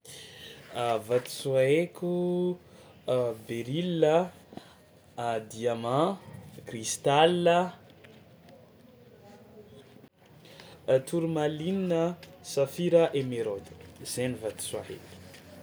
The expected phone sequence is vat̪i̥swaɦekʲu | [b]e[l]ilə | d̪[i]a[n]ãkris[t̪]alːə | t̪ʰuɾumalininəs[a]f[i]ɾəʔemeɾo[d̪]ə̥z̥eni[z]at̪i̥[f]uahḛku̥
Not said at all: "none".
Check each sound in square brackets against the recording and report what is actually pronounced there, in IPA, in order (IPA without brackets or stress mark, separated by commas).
b, ɾ, i, m, t̪, a, i, d̪, v, s